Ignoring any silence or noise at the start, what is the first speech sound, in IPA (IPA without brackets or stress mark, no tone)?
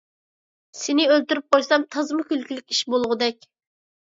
s